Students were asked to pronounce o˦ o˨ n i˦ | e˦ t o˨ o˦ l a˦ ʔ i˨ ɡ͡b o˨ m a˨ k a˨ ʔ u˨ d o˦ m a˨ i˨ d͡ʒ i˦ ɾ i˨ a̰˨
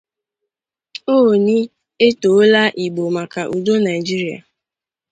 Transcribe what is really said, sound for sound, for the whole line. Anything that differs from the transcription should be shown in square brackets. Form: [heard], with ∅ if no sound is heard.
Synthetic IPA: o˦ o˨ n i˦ | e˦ t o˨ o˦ l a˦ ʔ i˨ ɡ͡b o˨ m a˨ k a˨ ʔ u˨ d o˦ [n] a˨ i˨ d͡ʒ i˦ ɾ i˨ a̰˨